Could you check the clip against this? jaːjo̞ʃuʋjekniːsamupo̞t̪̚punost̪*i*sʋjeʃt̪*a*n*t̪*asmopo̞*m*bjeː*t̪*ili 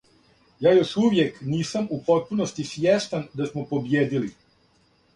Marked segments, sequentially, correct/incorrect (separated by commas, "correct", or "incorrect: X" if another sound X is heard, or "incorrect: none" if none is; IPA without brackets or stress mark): correct, correct, incorrect: d̪, incorrect: none, incorrect: d̪